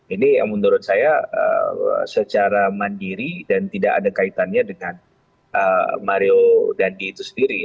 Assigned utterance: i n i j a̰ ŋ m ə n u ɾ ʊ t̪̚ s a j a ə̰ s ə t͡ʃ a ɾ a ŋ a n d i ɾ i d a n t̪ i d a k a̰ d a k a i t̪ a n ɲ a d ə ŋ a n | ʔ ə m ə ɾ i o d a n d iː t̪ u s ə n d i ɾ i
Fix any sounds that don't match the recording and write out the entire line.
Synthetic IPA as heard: i n i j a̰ ŋ m ə n u ɾ ʊ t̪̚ s a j a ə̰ s ə t͡ʃ a ɾ a m a n d i ɾ i d a n t̪ i d a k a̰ d a k a i t̪ a n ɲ a d ə ŋ a n | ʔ ə m a ɾ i o d a n d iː t̪ u s ə n d i ɾ i